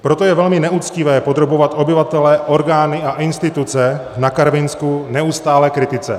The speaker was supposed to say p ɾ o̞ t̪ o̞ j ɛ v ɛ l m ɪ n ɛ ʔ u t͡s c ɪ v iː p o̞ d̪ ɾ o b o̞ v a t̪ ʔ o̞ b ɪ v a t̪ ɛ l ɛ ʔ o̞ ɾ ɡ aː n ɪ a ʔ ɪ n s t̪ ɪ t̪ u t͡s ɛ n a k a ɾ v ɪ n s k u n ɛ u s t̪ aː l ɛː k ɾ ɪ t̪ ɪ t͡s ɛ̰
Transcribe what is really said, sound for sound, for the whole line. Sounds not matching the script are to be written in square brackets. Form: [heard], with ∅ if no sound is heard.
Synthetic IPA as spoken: p ɾ o̞ t̪ o̞ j ɛ v ɛ l m ɪ n ɛ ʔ u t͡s c ɪ v [ɛː] p o̞ d̪ ɾ o b o̞ v a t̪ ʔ o̞ b ɪ v a t̪ ɛ l ɛ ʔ o̞ ɾ ɡ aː n ɪ a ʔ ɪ n s t̪ ɪ t̪ u t͡s ɛ n a k a ɾ v ɪ n s k u n ɛ u s t̪ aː l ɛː k ɾ ɪ t̪ ɪ t͡s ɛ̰